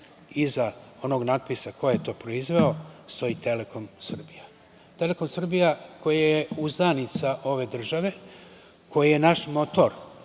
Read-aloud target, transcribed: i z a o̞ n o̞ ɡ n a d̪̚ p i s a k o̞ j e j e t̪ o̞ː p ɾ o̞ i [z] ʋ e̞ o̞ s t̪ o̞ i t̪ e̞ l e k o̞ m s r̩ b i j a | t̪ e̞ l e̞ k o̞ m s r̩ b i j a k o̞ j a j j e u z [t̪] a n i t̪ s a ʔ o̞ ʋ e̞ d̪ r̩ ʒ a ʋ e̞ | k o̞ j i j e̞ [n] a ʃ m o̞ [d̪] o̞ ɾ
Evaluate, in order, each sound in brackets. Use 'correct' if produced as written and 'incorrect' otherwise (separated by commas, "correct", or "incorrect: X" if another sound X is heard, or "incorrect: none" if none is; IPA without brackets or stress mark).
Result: correct, incorrect: d̪, correct, incorrect: t̪